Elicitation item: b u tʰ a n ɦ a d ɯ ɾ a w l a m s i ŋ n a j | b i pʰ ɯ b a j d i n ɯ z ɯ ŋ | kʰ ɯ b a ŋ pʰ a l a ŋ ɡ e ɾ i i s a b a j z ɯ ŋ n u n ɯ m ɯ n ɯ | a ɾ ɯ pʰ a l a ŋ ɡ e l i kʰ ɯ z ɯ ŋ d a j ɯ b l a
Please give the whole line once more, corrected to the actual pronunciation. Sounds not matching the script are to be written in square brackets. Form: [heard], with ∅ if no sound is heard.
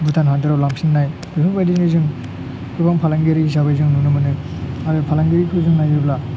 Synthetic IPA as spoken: b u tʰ a n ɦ a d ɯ ɾ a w l a m s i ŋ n a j | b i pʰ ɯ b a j d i n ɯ z ɯ ŋ | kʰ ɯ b a ŋ pʰ a l a ŋ ɡ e ɾ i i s a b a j z ɯ ŋ n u n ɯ m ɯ n ɯ | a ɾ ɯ pʰ a l a ŋ ɡ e [ɾ] i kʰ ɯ z ɯ ŋ [n] a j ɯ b l a